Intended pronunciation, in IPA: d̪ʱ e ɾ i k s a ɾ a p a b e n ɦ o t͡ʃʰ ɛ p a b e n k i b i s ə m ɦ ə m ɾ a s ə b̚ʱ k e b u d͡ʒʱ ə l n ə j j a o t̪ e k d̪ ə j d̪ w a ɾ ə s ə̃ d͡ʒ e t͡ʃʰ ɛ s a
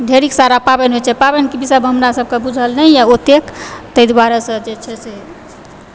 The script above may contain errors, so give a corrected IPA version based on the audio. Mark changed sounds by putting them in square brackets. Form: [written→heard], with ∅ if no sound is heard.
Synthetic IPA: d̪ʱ e ɾ i k s a ɾ a p a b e n ɦ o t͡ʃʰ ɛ p a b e n k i b i s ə [m→b] ɦ ə m ɾ a s ə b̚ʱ k e b u d͡ʒʱ ə l n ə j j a o t̪ e k [d̪→t̪] ə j d̪ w a ɾ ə s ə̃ d͡ʒ e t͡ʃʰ ɛ s [a→e]